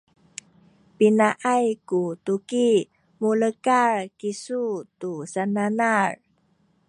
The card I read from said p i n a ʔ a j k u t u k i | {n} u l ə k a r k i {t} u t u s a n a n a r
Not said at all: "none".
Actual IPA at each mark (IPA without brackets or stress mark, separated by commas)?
m, s